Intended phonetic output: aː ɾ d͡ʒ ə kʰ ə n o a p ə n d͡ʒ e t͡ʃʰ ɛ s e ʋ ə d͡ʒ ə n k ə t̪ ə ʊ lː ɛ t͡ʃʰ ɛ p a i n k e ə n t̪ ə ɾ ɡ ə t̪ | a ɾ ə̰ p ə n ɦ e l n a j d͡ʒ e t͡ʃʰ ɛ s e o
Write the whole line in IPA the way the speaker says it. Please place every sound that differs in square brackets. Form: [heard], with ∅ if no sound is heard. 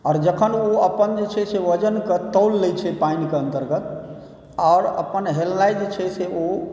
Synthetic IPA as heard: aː ɾ d͡ʒ ə kʰ ə n o [ə] p ə n d͡ʒ e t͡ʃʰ ɛ s e ʋ ə d͡ʒ ə n k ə t̪ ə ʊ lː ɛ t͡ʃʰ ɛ p a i n k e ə n t̪ ə ɾ ɡ ə t̪ | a ɾ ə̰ p ə n ɦ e l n a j d͡ʒ e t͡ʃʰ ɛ s e o

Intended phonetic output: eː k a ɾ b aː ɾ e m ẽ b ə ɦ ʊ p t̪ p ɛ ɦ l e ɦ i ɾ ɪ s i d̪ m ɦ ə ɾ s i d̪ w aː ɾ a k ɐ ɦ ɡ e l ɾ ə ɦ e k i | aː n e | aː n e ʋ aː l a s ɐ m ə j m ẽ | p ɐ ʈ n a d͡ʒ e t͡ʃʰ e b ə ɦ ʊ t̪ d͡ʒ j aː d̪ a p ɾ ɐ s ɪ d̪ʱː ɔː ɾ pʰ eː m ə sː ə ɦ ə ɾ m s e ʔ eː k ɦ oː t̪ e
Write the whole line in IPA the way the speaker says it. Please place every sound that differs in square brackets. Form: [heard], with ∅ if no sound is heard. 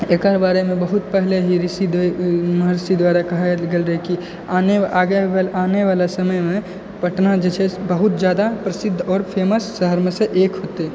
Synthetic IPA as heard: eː k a ɾ b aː ɾ e m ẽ b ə ɦ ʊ [∅] t̪ p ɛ ɦ l e ɦ i ɾ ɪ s i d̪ m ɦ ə ɾ s i d̪ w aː ɾ a k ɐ ɦ ɡ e l ɾ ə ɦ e k i | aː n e | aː n e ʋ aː l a s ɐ m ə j m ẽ | p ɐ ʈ n a d͡ʒ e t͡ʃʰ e b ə ɦ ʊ t̪ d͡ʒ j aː d̪ a p ɾ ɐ s ɪ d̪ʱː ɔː ɾ pʰ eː m ə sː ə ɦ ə ɾ m s e ʔ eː k ɦ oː t̪ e

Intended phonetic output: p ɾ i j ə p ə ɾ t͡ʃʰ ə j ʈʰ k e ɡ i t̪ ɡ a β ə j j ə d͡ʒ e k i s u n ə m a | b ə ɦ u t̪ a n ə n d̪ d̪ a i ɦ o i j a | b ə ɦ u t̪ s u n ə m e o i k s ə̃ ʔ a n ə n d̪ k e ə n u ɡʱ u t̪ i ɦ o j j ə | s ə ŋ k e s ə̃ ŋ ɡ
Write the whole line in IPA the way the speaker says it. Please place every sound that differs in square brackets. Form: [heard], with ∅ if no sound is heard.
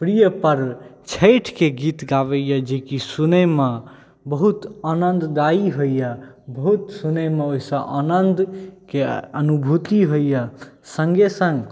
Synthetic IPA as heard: p ɾ i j ə p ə ɾ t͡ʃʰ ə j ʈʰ k e ɡ i t̪ ɡ a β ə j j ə d͡ʒ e k i s u n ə m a | b ə ɦ u t̪ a n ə n d̪ d̪ a i ɦ o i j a | b ə ɦ u t̪ s u n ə m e o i [∅] s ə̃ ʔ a n ə n d̪ k e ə n u [bʱ] u t̪ i ɦ o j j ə | s ə ŋ [ɡ] e s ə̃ ŋ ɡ

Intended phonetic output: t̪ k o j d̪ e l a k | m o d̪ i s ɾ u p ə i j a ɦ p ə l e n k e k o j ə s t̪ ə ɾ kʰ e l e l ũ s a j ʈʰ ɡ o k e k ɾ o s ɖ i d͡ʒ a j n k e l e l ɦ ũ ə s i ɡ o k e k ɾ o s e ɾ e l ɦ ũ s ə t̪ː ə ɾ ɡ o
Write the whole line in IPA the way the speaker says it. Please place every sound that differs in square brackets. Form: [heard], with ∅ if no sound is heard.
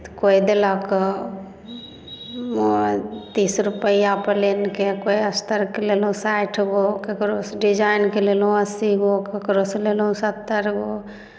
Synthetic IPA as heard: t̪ k o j d̪ e l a k | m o [t̪] i s ɾ u p ə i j a [∅] p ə l e n k e k o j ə s t̪ ə ɾ [k] e l e l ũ s a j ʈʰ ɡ o k e k ɾ o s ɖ i d͡ʒ a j n k e l e l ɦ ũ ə s i ɡ o k e k ɾ o s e [l] e l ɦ ũ s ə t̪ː ə ɾ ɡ o

